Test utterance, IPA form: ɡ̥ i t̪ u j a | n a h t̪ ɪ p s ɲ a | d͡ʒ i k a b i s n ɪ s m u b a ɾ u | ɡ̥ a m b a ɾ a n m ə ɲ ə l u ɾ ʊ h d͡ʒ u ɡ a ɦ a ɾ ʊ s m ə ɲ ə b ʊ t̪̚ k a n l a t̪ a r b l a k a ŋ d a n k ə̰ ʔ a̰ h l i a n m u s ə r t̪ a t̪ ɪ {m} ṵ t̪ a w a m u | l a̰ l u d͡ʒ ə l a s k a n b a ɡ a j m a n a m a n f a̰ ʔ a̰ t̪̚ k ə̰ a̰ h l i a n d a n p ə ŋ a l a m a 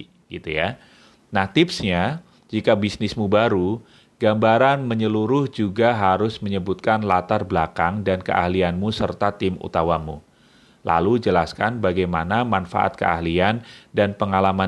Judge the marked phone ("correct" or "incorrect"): correct